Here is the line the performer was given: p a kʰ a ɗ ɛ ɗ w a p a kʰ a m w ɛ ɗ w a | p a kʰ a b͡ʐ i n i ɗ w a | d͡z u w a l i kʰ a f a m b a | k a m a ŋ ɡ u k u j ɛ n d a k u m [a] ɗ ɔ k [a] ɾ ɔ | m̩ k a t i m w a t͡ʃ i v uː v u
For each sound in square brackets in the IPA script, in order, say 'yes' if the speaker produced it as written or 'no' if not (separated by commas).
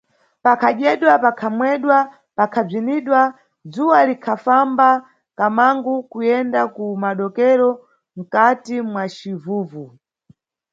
yes, no